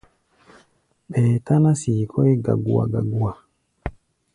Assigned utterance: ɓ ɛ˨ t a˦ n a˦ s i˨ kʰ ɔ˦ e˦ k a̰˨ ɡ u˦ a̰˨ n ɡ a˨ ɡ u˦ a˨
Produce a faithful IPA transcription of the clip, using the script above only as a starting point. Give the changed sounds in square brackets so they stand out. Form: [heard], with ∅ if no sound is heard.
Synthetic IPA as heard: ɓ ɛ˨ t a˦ n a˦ s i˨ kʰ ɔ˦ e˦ [ɡ] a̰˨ ɡ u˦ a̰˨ [∅] ɡ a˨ ɡ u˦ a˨